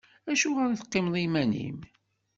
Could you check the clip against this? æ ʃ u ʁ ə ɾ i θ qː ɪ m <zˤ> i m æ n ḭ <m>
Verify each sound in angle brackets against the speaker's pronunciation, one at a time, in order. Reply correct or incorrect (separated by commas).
incorrect, correct